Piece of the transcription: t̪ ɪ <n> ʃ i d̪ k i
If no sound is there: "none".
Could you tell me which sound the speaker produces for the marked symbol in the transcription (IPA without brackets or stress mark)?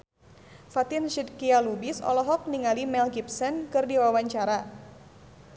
n